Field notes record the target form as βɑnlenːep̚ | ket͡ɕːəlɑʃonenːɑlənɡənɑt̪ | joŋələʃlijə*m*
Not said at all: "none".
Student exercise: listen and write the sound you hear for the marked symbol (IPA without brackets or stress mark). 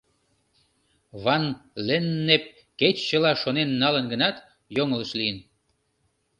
n